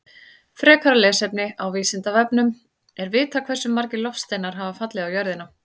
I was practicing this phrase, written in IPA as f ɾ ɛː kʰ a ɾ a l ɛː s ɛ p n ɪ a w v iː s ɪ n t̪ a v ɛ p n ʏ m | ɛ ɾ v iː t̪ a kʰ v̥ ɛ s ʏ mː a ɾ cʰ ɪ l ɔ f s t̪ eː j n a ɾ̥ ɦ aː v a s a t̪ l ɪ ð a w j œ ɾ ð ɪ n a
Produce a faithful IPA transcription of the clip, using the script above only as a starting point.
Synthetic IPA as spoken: f ɾ ɛː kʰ a ɾ a l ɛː s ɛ p n ɪ a w v iː s ɪ n t̪ a v ɛ p n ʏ m | ɛ ɾ v ɪː t̪ a kʰ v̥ ɛ s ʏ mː a ɾ c ɪ l ɔ f s t̪ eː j n a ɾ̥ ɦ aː v a f a t̪ l ɪ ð a w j œ ɾ ð ɪ n a